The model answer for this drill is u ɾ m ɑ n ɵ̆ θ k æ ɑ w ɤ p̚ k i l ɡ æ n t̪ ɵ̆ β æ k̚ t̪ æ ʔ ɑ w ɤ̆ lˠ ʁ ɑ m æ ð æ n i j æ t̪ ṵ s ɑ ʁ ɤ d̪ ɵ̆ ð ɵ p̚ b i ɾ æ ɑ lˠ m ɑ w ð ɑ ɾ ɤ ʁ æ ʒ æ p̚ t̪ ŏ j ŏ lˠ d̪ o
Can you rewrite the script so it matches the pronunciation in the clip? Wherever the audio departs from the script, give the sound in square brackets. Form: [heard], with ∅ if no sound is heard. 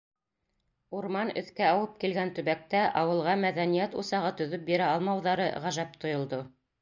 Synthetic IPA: u ɾ m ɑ n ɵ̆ θ k æ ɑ w ɤ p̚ k i l ɡ æ n t̪ ɵ̆ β æ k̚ t̪ æ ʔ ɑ w ɤ̆ lˠ ʁ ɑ m æ ð æ n i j æ t̪ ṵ s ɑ ʁ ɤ [t̪] ɵ̆ ð ɵ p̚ b i ɾ æ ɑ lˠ m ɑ w ð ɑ ɾ ɤ ʁ æ ʒ æ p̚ t̪ ŏ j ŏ lˠ d̪ o